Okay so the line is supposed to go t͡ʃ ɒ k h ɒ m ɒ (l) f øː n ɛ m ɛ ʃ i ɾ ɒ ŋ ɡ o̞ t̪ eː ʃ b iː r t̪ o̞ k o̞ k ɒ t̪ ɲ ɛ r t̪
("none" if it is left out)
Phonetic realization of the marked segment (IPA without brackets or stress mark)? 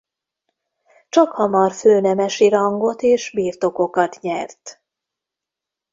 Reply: r